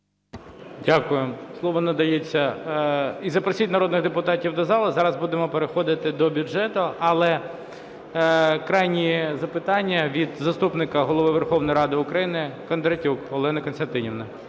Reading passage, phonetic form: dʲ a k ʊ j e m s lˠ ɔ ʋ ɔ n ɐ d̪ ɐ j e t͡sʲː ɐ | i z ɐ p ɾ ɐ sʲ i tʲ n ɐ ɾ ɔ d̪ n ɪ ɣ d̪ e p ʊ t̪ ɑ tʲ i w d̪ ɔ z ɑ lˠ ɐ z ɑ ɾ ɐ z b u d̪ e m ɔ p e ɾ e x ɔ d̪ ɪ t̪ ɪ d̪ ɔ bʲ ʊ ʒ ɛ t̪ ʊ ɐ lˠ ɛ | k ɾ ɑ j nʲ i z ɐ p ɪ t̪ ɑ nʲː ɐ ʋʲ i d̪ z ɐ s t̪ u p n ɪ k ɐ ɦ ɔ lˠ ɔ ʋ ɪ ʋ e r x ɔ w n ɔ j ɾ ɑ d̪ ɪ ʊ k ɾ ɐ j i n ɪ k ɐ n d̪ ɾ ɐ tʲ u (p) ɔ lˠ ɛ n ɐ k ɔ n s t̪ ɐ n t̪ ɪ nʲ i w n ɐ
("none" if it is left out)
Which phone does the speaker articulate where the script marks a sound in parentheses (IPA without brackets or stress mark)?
k